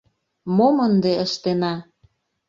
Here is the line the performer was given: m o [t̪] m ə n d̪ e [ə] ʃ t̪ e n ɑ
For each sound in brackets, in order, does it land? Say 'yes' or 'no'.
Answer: no, yes

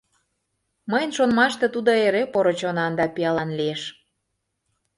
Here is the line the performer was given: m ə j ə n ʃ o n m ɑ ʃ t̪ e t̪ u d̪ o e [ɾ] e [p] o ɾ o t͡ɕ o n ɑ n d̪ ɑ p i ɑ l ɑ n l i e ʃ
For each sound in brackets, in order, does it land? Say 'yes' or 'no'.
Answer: yes, yes

